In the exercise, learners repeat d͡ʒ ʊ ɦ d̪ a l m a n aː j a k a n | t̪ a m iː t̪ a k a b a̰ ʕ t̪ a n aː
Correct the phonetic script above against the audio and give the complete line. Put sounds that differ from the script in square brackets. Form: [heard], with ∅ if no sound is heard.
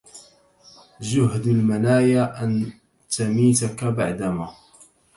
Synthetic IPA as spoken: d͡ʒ ʊ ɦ d̪ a l m a n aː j a [ʔ] a n | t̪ a m iː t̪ a k a b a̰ ʕ [d̪] a [m] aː